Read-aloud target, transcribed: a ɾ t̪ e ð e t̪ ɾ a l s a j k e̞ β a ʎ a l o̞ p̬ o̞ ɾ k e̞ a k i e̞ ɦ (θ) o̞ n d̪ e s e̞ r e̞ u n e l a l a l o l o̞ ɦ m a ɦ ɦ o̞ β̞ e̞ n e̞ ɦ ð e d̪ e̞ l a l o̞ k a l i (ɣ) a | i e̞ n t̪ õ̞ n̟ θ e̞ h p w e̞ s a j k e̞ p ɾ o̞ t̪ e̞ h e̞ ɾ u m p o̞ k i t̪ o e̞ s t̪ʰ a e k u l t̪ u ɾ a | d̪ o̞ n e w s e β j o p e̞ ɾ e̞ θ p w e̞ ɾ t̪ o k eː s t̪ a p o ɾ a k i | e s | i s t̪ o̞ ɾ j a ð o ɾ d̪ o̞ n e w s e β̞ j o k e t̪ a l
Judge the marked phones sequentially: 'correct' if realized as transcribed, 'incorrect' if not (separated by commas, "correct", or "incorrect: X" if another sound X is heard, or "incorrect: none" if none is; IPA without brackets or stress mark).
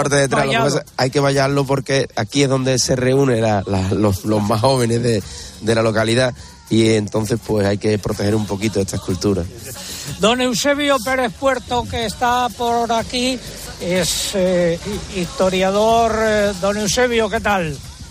incorrect: ð, incorrect: ð